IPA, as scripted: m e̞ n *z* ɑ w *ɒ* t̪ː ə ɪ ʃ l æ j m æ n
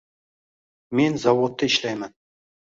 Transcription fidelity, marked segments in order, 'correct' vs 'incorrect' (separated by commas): correct, incorrect